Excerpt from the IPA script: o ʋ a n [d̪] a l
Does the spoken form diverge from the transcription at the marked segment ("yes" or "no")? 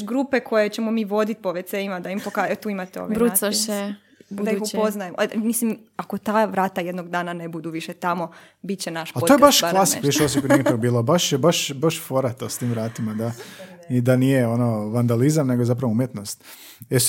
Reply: no